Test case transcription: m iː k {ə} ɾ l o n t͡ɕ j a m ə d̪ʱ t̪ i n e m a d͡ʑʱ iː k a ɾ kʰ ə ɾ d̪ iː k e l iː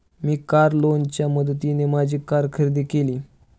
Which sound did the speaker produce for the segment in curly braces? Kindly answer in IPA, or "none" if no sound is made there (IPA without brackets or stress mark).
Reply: a